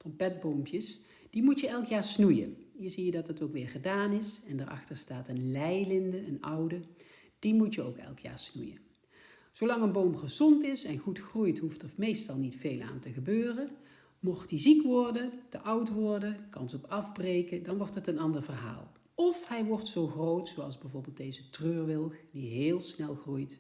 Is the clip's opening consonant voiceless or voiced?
voiceless